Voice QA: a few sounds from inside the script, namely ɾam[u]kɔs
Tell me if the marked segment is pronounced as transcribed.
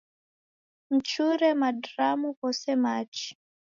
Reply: yes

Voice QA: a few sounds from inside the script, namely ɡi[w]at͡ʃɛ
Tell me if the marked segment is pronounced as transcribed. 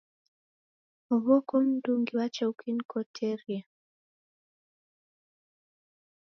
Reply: yes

